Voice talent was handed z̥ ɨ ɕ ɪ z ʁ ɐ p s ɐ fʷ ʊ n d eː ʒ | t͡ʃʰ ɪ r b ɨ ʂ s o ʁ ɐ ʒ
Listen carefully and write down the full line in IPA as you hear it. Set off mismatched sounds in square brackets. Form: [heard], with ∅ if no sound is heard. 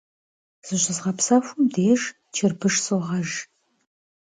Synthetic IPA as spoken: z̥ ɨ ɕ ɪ z ʁ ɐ p s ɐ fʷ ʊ [m] d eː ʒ | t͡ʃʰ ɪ r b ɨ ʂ s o ʁ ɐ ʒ